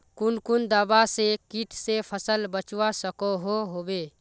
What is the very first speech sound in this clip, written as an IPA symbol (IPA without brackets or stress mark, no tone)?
k